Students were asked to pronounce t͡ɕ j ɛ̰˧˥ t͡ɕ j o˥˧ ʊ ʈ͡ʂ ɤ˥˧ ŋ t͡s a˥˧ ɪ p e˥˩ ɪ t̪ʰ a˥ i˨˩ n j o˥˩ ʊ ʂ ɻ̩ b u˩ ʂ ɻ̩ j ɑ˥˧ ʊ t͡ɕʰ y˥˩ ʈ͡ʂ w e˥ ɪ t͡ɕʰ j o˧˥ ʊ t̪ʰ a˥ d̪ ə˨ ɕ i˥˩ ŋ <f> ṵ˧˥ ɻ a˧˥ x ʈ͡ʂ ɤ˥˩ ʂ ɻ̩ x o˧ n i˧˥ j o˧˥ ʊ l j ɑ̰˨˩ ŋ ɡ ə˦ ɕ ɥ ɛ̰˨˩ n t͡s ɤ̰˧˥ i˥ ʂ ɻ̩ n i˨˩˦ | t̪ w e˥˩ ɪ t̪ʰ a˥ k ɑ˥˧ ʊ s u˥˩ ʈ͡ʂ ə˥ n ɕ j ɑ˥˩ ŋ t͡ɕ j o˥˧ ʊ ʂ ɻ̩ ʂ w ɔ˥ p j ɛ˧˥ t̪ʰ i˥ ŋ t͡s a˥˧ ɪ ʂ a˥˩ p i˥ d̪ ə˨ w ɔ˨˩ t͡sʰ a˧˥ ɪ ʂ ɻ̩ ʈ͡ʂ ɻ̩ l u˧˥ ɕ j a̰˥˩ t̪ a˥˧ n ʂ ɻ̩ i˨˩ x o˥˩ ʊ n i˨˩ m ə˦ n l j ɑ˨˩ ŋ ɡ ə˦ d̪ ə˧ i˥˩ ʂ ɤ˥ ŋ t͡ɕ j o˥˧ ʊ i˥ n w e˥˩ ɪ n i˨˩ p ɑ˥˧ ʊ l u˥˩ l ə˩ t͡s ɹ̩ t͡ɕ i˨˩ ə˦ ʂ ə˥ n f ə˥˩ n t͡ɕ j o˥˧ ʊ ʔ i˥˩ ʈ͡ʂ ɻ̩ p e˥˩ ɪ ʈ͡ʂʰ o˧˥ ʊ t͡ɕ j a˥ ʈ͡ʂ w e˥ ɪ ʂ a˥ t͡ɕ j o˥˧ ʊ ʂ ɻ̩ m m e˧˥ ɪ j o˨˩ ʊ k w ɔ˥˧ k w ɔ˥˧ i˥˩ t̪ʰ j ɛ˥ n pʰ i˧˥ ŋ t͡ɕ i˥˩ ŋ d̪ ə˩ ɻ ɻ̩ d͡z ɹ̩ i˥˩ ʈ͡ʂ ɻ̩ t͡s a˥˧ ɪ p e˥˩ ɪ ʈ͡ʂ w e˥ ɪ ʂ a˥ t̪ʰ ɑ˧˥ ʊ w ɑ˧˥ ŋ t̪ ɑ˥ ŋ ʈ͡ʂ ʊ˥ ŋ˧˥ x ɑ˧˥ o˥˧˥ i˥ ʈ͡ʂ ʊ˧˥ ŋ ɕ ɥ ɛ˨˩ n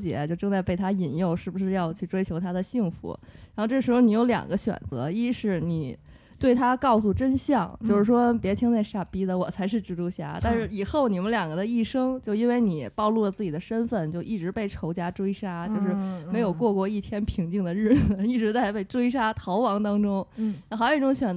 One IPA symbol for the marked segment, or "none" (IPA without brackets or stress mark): f